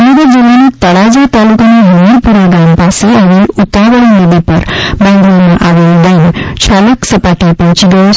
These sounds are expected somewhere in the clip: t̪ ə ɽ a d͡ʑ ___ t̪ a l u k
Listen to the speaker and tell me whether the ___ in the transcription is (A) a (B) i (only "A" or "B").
A